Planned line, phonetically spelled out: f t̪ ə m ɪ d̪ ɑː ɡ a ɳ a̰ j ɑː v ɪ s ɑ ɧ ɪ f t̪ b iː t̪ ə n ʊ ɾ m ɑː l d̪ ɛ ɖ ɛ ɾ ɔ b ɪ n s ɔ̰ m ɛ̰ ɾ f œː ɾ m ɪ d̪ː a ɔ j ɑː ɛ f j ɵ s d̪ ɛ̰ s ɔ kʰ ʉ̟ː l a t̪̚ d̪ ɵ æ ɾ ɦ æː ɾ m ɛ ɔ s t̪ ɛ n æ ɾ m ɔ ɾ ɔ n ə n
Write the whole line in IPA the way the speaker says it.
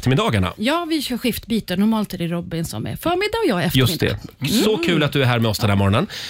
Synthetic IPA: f t̪ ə m ɪ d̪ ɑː ɡ a ɳ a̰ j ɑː v ɪ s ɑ ɧ ɪ f t̪ b iː t̪ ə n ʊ ɾ m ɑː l t̪ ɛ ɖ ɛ ɾ ɔ b ɪ n s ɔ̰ m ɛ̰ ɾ f œː ɾ m ɪ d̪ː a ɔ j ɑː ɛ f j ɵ s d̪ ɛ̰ s ɔ kʰ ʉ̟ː l a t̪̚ d̪ ɵ æ ɾ ɦ æː ɾ m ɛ ɔ s d̪ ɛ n æ ɾ m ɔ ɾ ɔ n ə n